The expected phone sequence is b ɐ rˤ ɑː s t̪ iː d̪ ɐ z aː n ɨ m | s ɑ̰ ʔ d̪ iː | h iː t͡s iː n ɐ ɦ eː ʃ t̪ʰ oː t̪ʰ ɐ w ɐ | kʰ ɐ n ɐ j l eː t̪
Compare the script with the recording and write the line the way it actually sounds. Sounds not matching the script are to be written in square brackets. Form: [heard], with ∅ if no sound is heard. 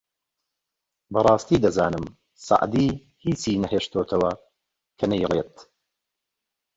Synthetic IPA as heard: b ɐ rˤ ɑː s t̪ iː d̪ ɐ z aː n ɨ m | s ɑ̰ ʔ d̪ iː | h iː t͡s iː n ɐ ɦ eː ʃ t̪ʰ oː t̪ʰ ɐ w ɐ | kʰ ɐ n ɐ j l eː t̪